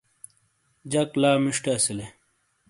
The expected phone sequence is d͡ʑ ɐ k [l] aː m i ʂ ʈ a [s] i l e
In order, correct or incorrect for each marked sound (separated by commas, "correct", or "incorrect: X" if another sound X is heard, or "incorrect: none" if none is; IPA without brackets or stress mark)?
correct, correct